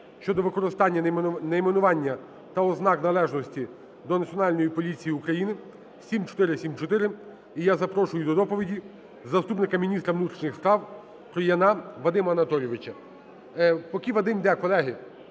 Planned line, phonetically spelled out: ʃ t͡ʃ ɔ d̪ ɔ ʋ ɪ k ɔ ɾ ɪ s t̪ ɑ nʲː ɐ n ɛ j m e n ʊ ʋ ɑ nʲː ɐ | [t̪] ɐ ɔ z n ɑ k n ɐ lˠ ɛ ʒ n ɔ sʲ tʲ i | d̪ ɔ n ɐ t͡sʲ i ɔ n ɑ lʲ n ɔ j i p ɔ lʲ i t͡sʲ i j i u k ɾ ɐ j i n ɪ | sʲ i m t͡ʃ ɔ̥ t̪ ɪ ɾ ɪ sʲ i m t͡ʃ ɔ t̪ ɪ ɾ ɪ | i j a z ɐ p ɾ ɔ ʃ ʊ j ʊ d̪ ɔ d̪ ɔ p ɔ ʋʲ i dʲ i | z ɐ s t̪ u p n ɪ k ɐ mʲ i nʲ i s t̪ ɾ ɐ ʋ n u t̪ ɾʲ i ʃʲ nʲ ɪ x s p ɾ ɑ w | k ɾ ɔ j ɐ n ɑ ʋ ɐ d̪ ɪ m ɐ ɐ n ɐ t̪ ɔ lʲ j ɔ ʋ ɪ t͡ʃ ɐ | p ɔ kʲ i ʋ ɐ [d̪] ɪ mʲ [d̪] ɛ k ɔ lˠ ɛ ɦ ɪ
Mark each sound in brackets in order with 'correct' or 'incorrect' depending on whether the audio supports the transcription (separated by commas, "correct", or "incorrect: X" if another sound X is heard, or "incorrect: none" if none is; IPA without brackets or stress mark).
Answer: correct, correct, correct